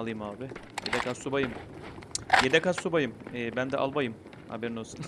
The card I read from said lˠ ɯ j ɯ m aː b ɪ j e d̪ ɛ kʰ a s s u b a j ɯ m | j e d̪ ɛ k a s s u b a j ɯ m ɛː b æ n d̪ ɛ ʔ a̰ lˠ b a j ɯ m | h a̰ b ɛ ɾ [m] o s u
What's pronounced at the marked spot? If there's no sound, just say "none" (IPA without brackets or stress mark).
n